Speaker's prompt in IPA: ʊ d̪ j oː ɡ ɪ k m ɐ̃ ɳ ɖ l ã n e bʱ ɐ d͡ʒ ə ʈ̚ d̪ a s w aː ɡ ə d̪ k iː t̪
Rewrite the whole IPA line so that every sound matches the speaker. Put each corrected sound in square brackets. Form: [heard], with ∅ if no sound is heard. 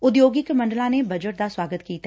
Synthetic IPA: ʊ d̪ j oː ɡ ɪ k m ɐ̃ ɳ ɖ l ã n e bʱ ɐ d͡ʒ ə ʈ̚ d̪ a s w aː ɡ ə [t̪] k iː t̪